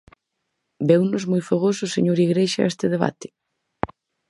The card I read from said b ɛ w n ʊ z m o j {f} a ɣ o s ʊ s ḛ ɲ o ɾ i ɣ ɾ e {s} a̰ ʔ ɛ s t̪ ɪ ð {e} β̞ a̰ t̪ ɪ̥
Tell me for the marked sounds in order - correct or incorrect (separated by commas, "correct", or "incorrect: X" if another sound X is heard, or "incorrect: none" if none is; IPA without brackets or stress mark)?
correct, incorrect: ʃ, correct